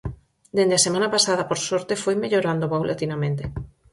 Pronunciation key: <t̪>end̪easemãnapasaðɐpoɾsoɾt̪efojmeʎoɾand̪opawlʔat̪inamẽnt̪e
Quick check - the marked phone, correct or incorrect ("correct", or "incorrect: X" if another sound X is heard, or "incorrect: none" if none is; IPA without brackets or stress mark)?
incorrect: d̪